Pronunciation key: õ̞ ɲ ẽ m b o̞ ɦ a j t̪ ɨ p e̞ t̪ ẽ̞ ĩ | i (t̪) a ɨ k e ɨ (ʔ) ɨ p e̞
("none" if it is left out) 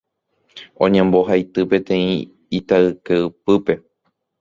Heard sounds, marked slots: t̪, p

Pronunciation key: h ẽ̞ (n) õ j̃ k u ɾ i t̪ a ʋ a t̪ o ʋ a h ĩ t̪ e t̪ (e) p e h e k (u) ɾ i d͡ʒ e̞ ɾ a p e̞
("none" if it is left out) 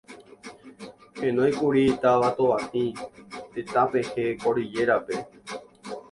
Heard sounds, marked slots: n, a, o

